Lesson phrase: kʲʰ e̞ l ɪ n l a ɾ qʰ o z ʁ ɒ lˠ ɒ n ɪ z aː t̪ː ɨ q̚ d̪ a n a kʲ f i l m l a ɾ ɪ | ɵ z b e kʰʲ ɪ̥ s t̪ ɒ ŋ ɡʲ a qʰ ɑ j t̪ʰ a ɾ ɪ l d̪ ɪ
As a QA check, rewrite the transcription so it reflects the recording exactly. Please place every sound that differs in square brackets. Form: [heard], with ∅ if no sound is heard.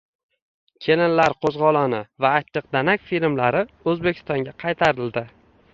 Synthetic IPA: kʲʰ e̞ l ɪ n l a ɾ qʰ o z ʁ ɒ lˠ ɒ n ɪ [v] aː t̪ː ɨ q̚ d̪ a n a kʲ f i l m l a ɾ ɪ | ɵ z b e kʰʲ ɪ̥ s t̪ ɒ ŋ ɡʲ a qʰ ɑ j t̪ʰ a ɾ ɪ l d̪ ɪ